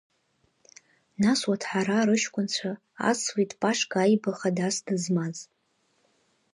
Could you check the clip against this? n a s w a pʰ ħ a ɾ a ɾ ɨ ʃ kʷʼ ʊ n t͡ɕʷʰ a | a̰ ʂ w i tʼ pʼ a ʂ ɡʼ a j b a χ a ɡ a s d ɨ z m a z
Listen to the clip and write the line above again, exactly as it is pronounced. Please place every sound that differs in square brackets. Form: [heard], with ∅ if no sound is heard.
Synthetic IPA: n a s w a [tʰ] ħ a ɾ a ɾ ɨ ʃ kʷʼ ʊ n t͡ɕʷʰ a | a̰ [s] w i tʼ pʼ a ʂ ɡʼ a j b a χ a [d] a s d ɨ z m a z